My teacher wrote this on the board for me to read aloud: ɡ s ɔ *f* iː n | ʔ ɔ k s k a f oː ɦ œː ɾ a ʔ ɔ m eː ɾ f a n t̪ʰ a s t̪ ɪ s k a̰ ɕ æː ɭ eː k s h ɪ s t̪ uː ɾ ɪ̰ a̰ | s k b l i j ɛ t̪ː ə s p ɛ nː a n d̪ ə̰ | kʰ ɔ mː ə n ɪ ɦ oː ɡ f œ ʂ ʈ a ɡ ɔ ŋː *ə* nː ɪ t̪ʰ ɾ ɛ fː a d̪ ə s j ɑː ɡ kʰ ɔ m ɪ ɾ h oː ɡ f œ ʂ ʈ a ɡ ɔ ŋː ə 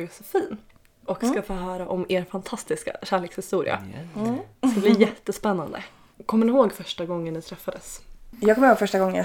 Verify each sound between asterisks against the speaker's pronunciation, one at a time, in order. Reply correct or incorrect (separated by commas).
correct, correct